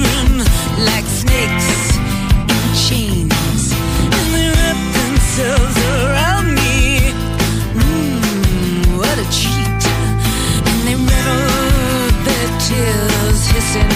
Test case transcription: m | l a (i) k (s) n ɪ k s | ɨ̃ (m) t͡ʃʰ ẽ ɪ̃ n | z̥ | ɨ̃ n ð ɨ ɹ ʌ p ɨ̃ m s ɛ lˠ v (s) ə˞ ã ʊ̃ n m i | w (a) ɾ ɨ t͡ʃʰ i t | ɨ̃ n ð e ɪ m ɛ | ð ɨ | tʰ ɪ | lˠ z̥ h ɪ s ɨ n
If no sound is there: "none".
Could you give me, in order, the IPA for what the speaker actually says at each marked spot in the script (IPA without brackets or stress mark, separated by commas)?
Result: ɪ, s, n, z, ʌ